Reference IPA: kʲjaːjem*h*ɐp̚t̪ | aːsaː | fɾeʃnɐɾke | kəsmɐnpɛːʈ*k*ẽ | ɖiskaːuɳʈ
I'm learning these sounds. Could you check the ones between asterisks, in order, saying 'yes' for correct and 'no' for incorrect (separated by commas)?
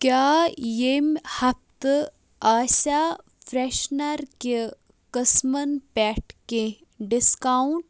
yes, yes